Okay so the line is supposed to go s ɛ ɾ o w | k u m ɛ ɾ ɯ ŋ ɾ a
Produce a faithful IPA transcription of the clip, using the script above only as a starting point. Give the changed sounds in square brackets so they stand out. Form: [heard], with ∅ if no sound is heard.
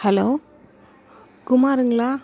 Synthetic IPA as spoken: [h] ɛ [l] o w | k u m [a] ɾ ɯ ŋ [l] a